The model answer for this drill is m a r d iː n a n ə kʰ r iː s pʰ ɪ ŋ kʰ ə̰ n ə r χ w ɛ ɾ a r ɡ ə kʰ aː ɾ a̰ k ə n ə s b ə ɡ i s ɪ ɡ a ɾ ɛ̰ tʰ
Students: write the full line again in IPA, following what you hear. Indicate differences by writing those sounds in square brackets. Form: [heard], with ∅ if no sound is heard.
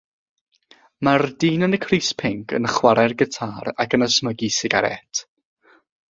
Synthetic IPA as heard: m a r d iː n [ə] n ə kʰ r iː s pʰ ɪ ŋ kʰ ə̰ n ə [∅] χ w [a] ɾ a r ɡ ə [tʰ] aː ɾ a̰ k ə n ə s [m] ə ɡ i s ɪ ɡ a ɾ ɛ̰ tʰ